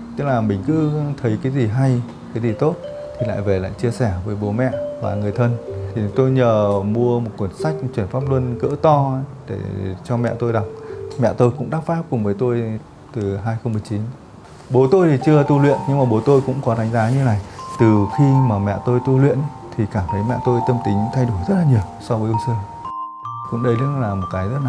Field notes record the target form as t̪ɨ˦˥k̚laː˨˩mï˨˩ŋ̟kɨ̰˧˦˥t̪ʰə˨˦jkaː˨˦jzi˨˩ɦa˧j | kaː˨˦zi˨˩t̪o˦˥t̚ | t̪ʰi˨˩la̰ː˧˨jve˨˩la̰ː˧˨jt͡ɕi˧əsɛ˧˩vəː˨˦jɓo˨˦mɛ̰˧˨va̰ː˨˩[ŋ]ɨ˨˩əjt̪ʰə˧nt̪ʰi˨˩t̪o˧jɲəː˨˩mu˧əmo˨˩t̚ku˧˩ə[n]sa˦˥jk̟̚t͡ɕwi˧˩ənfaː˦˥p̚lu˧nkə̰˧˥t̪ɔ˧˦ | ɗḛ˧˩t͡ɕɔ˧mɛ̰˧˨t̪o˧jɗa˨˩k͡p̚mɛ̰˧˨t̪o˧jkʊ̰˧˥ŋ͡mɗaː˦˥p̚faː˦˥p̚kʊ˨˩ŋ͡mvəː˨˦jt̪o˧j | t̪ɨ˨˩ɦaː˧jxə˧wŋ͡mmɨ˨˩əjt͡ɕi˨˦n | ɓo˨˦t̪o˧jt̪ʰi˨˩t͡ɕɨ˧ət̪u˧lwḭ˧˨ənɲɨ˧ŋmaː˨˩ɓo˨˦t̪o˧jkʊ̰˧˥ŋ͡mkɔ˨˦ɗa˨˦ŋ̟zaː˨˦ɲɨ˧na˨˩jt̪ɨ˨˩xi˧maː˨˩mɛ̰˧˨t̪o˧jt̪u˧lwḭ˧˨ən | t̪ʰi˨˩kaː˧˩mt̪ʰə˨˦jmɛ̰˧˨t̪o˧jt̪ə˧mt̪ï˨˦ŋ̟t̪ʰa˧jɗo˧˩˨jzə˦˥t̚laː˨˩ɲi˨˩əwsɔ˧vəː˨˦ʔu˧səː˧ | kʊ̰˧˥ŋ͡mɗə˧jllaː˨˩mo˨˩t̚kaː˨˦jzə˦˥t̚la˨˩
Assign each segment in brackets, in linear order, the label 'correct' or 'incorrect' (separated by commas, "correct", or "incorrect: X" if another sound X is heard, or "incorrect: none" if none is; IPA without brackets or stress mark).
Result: correct, correct